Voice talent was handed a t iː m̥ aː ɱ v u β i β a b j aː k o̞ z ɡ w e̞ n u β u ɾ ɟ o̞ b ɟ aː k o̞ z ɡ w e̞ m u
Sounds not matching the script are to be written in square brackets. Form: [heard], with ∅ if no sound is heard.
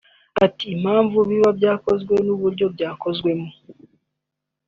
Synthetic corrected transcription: a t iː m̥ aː ɱ v u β i β a b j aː k o̞ z ɡ w e̞ n u β u ɾ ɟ o̞ b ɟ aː k o̞ z ɡ w e̞ m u